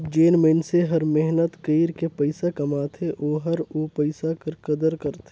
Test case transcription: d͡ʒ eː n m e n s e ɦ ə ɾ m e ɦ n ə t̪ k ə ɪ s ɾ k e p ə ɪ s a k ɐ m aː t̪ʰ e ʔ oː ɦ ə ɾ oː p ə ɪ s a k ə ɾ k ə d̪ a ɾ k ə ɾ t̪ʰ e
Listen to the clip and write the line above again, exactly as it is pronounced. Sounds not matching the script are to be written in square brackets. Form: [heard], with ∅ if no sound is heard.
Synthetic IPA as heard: d͡ʒ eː n m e n s e ɦ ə ɾ m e ɦ n ə t̪ k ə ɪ [∅] ɾ k e p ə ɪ s a k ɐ m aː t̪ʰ e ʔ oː ɦ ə ɾ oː p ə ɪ s a k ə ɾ k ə d̪ [ə] ɾ k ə ɾ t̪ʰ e